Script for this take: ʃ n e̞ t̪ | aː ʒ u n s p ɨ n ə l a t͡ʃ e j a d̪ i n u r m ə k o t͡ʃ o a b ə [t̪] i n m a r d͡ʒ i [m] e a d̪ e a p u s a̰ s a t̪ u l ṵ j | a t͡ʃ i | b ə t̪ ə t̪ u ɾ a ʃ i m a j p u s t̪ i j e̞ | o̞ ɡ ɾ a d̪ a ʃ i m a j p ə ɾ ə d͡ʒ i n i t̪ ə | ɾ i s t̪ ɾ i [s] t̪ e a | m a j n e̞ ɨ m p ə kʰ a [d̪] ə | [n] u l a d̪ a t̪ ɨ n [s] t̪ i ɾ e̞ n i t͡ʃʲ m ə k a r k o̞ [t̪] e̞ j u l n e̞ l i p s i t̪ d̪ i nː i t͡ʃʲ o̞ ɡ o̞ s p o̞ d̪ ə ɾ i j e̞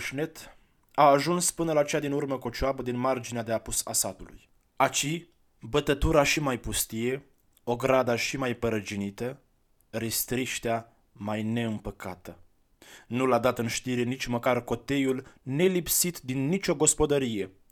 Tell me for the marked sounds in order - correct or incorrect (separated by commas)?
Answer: incorrect, incorrect, incorrect, incorrect, correct, incorrect, correct